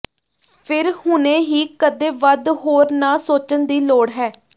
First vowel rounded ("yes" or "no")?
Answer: no